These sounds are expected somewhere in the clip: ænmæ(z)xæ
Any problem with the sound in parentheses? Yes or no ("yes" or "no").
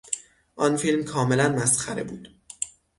yes